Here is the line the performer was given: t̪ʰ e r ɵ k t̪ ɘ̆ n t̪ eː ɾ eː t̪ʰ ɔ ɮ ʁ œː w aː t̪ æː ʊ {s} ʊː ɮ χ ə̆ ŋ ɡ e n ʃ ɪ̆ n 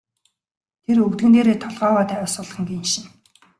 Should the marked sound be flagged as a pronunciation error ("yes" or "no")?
no